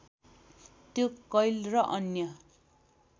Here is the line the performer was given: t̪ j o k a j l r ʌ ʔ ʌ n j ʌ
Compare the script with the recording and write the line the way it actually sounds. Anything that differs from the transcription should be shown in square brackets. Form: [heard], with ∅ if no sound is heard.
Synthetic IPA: t̪ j o k [ʌ] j l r ʌ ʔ ʌ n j ʌ